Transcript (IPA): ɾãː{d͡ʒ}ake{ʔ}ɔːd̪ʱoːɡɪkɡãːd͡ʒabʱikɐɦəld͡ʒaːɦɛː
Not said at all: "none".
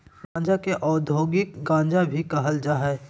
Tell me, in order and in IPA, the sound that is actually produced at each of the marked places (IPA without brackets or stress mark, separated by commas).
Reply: d͡ʒ, ʔ